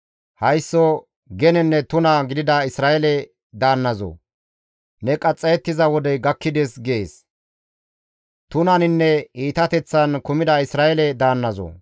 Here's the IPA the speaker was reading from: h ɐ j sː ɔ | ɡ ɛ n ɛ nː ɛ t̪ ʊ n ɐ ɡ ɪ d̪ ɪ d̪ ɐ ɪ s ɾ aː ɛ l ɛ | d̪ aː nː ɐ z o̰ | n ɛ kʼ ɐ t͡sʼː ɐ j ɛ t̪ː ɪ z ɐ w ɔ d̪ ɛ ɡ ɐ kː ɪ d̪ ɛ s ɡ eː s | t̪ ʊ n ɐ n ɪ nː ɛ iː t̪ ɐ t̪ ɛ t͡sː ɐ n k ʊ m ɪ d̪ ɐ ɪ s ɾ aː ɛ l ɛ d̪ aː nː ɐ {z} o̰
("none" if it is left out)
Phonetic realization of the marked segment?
z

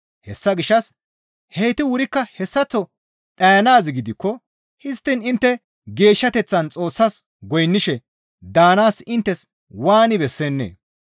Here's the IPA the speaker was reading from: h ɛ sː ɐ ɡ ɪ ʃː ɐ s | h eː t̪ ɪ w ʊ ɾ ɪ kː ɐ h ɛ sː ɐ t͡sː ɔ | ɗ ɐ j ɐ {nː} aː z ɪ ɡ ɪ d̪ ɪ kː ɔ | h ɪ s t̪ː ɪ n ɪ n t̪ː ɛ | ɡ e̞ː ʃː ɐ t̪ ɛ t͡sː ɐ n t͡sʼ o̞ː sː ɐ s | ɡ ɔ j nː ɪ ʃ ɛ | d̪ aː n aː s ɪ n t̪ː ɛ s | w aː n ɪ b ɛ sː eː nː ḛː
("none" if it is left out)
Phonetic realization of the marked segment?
n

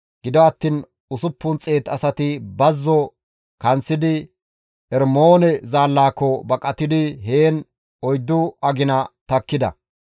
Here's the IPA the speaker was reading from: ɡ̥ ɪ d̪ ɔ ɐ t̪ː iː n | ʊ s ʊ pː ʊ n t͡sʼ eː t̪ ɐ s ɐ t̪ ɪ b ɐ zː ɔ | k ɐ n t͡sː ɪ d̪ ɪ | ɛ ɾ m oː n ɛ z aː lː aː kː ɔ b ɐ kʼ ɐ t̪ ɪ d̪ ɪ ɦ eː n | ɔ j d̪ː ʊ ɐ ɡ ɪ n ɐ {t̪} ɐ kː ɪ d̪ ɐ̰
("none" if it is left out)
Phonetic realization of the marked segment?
t̪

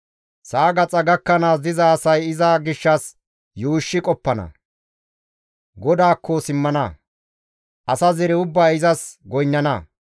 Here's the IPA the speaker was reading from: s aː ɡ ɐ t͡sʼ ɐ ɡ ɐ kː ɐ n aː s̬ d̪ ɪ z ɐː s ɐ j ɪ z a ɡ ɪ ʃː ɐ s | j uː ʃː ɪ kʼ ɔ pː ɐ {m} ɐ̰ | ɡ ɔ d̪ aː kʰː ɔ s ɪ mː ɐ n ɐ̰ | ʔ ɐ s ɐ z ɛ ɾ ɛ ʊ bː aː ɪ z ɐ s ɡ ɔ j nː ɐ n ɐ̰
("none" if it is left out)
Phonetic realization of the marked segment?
n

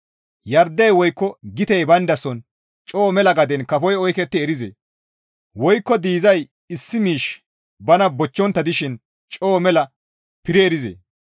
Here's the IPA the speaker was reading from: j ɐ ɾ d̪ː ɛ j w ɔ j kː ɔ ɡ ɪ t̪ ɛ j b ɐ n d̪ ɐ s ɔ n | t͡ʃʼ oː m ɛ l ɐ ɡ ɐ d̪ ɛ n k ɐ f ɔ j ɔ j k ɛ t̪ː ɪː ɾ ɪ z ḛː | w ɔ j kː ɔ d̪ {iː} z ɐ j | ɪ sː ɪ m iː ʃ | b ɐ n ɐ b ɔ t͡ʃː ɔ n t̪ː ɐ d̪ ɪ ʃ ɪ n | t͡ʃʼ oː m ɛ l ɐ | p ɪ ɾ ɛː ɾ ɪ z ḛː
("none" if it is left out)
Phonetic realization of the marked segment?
iː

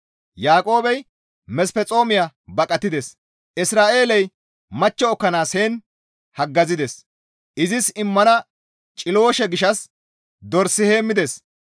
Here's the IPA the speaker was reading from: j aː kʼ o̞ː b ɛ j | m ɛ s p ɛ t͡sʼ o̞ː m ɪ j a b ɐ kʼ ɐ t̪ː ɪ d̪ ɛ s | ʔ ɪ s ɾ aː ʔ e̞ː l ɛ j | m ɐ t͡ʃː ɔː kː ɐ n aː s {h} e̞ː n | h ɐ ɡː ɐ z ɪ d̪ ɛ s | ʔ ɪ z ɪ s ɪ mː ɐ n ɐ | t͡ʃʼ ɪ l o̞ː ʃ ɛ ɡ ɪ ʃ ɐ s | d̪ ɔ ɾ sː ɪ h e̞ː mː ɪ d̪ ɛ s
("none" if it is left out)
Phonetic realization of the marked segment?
h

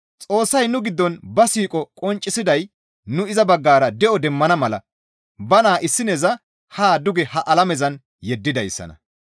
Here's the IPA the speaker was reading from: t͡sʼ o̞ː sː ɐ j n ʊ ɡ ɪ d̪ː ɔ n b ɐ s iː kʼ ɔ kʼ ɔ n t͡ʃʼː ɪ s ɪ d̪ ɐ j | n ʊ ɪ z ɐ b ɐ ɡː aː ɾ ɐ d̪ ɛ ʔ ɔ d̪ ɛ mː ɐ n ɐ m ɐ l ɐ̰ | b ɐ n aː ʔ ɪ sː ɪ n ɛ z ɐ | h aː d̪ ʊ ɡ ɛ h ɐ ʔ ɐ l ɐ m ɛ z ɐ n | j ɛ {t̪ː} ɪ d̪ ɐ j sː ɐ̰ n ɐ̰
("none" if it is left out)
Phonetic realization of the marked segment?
d̪ː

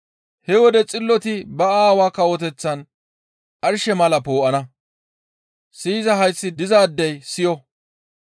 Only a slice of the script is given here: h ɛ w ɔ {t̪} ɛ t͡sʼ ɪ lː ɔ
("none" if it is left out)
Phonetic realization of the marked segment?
d̪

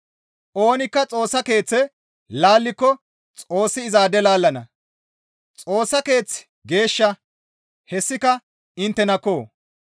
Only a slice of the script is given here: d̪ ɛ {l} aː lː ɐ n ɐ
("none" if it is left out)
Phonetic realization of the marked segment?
l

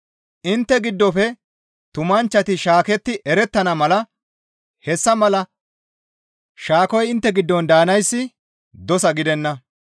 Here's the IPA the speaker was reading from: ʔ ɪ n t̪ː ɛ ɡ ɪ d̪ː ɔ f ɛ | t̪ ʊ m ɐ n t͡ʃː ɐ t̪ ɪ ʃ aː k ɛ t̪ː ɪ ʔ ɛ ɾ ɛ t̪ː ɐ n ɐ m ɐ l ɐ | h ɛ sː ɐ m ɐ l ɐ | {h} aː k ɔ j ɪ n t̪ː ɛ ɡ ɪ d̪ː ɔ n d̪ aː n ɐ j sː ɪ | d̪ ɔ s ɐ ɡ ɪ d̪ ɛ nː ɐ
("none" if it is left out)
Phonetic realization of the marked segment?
ʃ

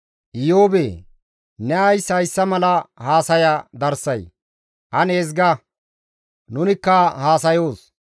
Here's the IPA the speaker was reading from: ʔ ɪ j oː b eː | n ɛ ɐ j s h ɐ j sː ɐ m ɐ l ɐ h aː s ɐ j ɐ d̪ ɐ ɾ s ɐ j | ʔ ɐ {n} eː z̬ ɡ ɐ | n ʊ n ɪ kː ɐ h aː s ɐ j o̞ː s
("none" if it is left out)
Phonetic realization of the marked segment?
n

